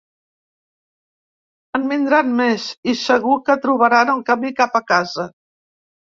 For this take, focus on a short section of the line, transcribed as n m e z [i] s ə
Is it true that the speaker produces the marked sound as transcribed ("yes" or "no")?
yes